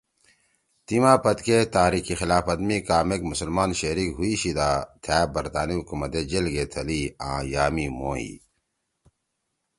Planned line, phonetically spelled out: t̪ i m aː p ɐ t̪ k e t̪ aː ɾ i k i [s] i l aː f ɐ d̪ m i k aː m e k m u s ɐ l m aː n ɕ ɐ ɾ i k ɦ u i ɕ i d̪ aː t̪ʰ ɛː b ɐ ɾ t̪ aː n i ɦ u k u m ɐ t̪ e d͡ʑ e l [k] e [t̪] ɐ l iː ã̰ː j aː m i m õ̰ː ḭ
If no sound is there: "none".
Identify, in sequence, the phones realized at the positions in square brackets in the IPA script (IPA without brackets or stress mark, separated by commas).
x, ɡ, t̪ʰ